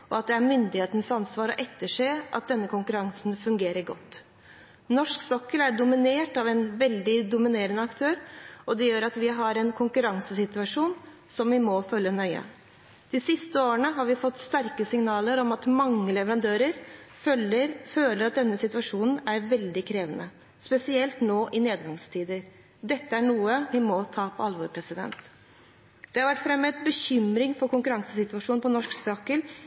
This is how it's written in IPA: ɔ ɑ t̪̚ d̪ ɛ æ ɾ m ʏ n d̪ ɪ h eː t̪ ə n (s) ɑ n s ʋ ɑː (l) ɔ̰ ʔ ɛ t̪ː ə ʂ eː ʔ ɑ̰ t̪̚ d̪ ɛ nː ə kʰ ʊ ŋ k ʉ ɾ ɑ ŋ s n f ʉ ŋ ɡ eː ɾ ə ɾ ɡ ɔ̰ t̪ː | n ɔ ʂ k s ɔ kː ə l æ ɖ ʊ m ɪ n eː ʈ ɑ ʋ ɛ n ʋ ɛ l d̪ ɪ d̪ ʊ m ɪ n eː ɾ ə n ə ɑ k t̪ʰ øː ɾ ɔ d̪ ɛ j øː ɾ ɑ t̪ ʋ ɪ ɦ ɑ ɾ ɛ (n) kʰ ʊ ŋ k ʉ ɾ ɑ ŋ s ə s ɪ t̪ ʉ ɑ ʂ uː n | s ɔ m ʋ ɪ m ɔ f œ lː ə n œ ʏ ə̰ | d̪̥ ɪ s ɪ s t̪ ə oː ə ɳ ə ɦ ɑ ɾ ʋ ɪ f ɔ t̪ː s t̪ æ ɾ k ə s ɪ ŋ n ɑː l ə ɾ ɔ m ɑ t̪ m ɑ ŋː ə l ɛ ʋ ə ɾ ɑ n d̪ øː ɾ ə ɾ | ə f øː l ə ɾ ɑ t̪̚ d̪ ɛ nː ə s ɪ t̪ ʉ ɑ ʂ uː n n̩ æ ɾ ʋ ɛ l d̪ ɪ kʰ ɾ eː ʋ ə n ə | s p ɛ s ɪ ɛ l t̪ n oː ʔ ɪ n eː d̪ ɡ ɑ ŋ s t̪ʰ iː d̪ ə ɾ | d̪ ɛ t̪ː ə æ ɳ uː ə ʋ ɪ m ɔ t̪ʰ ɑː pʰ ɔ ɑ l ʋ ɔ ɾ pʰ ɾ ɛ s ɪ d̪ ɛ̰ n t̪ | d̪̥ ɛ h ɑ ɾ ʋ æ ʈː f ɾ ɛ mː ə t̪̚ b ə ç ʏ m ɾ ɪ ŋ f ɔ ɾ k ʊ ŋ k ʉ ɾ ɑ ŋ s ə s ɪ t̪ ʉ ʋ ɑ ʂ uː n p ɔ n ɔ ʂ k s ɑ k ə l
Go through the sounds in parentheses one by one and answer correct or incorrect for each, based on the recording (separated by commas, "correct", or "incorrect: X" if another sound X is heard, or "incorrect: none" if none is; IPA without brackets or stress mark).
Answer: correct, incorrect: ɾ, correct